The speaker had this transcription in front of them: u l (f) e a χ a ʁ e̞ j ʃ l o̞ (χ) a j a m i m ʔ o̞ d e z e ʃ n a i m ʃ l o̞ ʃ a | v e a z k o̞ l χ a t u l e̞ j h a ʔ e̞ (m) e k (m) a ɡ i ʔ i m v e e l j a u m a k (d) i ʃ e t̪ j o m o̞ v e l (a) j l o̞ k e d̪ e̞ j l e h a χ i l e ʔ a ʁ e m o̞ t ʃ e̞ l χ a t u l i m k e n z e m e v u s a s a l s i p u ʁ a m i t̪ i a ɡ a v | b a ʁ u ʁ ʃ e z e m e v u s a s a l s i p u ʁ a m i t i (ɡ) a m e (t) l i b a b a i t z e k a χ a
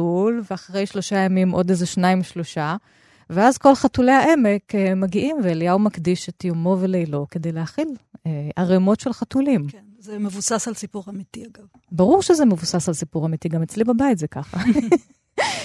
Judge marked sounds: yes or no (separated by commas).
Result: no, no, yes, yes, yes, no, yes, no